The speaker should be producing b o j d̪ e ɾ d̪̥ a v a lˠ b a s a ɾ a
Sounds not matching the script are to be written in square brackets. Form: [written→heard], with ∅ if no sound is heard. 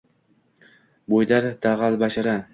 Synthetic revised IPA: b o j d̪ [e→a] ɾ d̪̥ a [v→ʁ] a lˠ b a [s→ʃ] a ɾ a